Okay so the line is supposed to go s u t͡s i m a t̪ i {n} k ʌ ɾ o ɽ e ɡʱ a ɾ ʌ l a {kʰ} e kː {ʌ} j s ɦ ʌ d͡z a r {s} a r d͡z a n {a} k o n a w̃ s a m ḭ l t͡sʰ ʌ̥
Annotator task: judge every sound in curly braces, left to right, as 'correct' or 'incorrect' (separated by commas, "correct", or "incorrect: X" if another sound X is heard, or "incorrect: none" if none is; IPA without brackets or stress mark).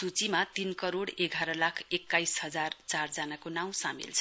correct, correct, incorrect: a, incorrect: t͡s, correct